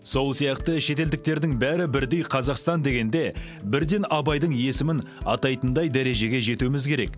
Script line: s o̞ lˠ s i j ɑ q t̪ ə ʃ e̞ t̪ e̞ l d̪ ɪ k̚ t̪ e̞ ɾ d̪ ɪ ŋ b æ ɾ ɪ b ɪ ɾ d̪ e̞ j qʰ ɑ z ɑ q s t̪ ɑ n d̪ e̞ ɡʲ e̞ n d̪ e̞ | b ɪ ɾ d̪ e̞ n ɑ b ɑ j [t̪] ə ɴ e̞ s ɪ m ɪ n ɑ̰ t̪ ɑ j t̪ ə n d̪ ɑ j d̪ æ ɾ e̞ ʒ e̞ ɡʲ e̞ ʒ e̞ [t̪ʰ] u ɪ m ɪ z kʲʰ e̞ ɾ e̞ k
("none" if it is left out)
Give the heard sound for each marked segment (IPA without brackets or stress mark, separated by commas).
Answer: d̪, t̪